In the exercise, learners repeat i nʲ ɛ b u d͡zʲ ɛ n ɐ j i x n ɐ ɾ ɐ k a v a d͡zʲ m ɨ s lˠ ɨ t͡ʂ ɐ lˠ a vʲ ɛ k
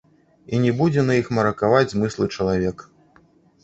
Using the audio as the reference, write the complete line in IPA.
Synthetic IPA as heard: i nʲ ɛ b u d͡zʲ ɛ n ɐ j i x m ɐ ɾ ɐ k a v a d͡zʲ m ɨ s lˠ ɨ t͡ʂ ɐ lˠ a vʲ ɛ k

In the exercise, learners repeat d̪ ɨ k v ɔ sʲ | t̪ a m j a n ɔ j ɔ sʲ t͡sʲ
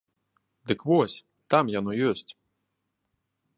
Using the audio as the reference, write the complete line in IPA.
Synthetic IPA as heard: d̪ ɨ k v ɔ sʲ | t̪ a m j a n ɔ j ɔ sʲ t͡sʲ

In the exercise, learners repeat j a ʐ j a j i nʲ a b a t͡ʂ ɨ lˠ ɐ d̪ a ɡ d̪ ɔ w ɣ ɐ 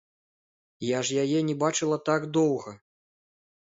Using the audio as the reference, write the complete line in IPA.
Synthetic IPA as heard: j a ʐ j a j ɛ nʲ ɛ b a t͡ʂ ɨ lˠ ɐ t̪ a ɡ d̪ ɔ w ɣ ɐ

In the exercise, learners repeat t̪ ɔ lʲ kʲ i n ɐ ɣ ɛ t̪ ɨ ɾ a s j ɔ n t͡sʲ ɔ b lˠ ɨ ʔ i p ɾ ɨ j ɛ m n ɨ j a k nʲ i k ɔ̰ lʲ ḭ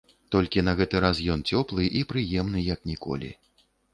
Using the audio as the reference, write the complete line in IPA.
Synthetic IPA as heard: t̪ ɔ lʲ kʲ i n ɐ ɣ ɛ t̪ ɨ ɾ a s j ɔ n t͡sʲ ɔ p lˠ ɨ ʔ i p ɾ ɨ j ɛ m n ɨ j ɐ k nʲ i k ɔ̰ lʲ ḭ

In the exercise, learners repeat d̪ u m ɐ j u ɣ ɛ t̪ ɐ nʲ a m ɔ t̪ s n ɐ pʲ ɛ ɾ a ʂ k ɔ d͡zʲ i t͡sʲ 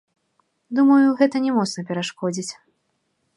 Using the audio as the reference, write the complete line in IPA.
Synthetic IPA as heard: d̪ u m ɐ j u ɣ ɛ t̪ ɐ nʲ ɛ m ɔ t̪ s n ɐ pʲ ɛ ɾ a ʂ k ɔ d͡zʲ i t͡sʲ

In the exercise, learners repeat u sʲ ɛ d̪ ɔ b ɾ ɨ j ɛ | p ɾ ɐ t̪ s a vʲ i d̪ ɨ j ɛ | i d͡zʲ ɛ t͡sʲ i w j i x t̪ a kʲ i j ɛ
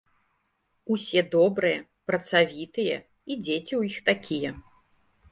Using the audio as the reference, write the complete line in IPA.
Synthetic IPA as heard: u sʲ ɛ d̪ ɔ b ɾ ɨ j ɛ | p ɾ ɐ t̪ s a vʲ i t̪ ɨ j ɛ | i d͡zʲ e t͡sʲ i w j i x t̪ a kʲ i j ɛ

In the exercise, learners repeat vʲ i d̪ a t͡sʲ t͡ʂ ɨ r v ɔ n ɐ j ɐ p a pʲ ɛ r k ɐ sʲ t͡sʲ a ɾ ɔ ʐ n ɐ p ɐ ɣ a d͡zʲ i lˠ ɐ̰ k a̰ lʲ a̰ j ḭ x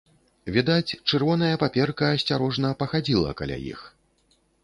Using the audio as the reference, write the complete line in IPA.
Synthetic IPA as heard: vʲ i d̪ a t͡sʲ t͡ʂ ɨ r v ɔ n ɐ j ɐ p a pʲ ɛ r k ɐ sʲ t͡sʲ a ɾ ɔ ʐ n ɐ p ɐ x a d͡zʲ i lˠ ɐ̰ k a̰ lʲ a̰ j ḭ x

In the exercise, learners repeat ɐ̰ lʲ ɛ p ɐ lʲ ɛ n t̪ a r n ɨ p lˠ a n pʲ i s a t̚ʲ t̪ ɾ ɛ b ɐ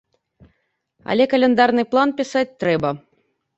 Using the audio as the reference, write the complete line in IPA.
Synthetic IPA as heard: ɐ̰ lʲ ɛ k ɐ lʲ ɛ n d̪ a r n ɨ p lˠ a n pʲ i s a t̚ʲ t̪ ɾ ɛ b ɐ

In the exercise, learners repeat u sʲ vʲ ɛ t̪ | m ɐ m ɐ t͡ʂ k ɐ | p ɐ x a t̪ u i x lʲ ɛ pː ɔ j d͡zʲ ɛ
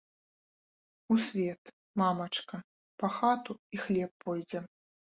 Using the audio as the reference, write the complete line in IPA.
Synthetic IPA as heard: u sʲ vʲ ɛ t̪ | m a m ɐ t͡ʂ k ɐ | p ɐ x a t̪ u i x lʲ ɛ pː ɔ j d͡zʲ ɛ

